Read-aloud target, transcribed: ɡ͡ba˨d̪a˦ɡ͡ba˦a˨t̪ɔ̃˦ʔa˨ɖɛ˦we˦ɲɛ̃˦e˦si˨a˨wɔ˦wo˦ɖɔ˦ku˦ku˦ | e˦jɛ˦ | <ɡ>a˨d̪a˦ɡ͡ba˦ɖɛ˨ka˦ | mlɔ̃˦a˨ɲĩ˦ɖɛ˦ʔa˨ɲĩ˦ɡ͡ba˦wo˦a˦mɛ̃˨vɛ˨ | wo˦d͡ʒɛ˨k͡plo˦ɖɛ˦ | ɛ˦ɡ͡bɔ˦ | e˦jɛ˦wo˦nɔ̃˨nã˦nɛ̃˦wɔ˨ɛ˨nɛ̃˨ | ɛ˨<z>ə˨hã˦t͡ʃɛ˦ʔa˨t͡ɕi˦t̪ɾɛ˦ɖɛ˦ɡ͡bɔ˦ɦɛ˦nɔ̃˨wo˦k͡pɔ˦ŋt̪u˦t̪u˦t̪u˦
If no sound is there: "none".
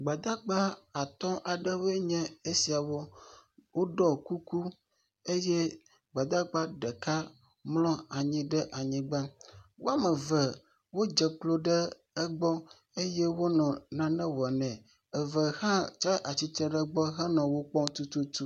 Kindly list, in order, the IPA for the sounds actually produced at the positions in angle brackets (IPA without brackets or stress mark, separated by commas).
ɡ͡b, v